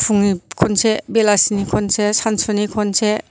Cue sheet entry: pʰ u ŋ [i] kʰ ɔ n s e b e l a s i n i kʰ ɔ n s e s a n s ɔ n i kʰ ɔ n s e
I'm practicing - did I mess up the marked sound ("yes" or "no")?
no